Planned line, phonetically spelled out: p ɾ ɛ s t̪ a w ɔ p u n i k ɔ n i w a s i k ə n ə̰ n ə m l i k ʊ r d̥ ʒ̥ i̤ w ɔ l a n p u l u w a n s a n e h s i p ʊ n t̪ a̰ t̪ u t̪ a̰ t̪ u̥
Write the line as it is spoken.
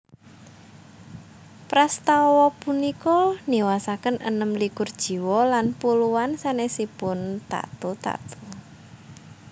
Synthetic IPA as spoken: p ɾ a s t̪ a w ɔ p u n i k ɔ n i w a s a k ə n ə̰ n ə m l i k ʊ r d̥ ʒ̥ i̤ w ɔ l a n p u l u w a n s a n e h s i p ʊ n t̪ a̰ t̪ u t̪ a̰ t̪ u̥